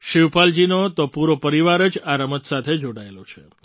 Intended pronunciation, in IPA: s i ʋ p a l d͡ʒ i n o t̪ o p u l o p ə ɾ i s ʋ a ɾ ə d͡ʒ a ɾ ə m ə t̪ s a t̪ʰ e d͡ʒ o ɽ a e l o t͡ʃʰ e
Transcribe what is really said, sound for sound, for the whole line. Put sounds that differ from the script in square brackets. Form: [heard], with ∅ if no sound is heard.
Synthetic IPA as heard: [ʃ] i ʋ p a l d͡ʒ i n o t̪ o p u [ɾ] o p ə ɾ i [∅] ʋ a ɾ ə d͡ʒ a ɾ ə m ə t̪ s a t̪ʰ e d͡ʒ o ɽ a e l o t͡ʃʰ e